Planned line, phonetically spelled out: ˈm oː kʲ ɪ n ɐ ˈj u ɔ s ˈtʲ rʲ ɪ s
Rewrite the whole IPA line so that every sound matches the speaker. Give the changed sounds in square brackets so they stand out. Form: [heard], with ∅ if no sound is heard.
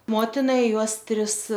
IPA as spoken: ˈm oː [tʲ] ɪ n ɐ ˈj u ɔ s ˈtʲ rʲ ɪ s

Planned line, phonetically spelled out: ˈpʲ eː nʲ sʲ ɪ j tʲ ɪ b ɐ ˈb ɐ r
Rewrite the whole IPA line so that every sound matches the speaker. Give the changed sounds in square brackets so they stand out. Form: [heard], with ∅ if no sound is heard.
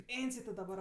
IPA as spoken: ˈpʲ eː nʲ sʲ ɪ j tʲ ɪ [d] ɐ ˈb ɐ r

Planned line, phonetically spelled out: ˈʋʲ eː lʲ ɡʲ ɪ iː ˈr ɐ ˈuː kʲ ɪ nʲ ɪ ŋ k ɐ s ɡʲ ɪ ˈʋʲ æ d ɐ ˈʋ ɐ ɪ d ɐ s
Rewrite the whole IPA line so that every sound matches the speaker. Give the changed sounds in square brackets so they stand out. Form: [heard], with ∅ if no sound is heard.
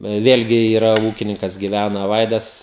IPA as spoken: ˈʋʲ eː lʲ ɡʲ ɪ iː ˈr ɐ ˈuː kʲ ɪ nʲ ɪ ŋ k ɐ s ɡʲ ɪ ˈʋʲ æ [n] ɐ ˈʋ ɐ ɪ d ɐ s

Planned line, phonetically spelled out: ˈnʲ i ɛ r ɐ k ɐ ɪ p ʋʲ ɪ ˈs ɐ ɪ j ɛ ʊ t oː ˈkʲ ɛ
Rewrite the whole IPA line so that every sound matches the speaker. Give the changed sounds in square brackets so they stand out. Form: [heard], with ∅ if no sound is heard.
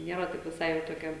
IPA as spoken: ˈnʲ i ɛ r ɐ [t] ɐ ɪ p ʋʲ ɪ ˈs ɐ ɪ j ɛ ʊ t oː ˈkʲ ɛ

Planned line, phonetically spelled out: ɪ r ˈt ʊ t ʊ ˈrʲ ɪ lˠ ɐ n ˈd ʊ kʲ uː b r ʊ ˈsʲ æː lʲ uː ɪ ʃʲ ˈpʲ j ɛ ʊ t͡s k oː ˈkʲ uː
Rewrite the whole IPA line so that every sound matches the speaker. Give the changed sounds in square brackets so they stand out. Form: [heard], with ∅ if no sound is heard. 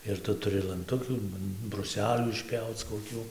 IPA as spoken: ɪ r ˈt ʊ t ʊ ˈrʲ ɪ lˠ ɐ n [ˈt] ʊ kʲ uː b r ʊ ˈsʲ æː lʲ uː ɪ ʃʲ ˈpʲ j ɛ ʊ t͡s k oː ˈkʲ uː

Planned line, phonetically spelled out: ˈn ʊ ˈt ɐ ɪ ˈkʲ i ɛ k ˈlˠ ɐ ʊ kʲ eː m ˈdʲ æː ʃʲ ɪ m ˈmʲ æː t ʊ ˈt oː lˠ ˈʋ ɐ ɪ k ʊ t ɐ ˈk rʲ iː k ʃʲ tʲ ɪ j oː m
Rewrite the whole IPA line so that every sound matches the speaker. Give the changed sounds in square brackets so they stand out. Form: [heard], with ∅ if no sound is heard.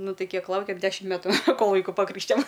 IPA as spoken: ˈn ʊ ˈt ɐ ɪ ˈkʲ i ɛ k ˈlˠ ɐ ʊ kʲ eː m ˈdʲ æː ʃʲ ɪ m ˈmʲ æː t ʊ [ˈk] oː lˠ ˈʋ ɐ ɪ k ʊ [p] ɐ ˈk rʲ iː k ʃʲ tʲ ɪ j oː m

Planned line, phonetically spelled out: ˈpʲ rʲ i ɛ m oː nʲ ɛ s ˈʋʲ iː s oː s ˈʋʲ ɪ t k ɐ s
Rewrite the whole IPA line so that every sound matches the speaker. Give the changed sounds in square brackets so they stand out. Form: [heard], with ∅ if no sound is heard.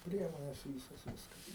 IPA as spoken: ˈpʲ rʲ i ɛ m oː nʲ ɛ s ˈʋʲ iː s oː s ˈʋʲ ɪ [s] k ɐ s

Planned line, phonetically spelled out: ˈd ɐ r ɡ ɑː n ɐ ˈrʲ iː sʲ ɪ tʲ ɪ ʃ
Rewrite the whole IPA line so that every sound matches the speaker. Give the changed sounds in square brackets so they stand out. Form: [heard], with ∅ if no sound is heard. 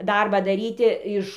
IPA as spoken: ˈd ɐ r [b] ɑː [d] ɐ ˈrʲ iː [tʲ] ɪ [∅] ɪ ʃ

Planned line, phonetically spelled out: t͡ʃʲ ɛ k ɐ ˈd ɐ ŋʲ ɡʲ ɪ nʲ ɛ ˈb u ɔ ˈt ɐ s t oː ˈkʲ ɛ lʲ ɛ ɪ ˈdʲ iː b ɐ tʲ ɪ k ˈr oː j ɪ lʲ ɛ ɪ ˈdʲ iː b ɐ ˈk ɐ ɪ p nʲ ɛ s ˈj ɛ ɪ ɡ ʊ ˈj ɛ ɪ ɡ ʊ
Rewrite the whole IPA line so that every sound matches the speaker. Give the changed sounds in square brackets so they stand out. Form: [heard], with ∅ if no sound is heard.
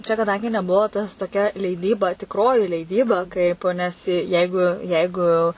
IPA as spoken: t͡ʃʲ ɛ k ɐ ˈd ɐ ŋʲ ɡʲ ɪ nʲ ɛ ˈb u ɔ ˈt ɐ s t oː ˈkʲ ɛ lʲ ɛ ɪ ˈdʲ iː b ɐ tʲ ɪ k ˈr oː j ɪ lʲ ɛ ɪ ˈdʲ iː b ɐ ˈk ɐ ɪ p nʲ ɛ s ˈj ɛ ɪ ɡ ʊ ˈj ɛ ɪ ɡ ʊ

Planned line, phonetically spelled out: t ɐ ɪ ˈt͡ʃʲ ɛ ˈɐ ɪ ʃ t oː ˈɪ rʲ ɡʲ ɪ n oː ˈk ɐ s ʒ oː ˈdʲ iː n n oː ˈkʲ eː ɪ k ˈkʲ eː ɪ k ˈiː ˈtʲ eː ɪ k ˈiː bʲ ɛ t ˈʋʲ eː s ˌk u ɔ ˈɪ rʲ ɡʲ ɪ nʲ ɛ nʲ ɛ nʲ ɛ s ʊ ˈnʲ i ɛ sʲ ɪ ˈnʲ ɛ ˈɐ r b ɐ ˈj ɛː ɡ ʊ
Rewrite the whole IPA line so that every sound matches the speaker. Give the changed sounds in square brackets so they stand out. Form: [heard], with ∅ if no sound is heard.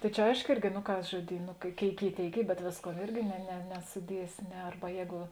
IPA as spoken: t ɐ ɪ ˈt͡ʃʲ ɛ ˈɐ ɪ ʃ [k] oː ˈɪ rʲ ɡʲ ɪ n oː ˈk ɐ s ʒ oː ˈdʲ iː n n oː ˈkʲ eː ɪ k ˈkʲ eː ɪ k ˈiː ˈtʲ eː ɪ k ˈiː bʲ ɛ t ˈʋʲ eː s ˌk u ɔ ˈɪ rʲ ɡʲ ɪ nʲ ɛ nʲ ɛ nʲ ɛ s ʊ [ˈdʲ] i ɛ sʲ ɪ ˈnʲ ɛ ˈɐ r b ɐ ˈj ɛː ɡ ʊ

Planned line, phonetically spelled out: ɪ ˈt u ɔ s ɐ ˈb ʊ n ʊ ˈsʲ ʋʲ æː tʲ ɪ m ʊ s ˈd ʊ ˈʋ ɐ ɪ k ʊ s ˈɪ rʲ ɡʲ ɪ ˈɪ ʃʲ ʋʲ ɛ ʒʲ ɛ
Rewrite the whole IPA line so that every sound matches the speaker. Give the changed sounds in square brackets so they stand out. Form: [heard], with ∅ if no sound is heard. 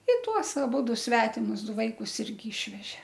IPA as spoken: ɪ ˈt u ɔ s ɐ ˈb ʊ [d] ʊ ˈsʲ ʋʲ æː tʲ ɪ m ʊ s ˈd ʊ ˈʋ ɐ ɪ k ʊ s ˈɪ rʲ ɡʲ ɪ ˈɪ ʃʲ ʋʲ ɛ ʒʲ ɛ

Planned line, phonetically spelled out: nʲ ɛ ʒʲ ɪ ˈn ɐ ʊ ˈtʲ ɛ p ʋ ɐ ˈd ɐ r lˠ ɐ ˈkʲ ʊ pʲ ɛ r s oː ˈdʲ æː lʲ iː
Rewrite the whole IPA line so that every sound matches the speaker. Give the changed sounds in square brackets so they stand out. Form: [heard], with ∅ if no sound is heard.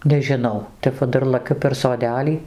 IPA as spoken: nʲ ɛ ʒʲ ɪ ˈn ɐ ʊ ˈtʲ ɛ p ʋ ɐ ˈd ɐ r lˠ ɐ ˈkʲ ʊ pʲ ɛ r s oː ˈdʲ æː lʲ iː

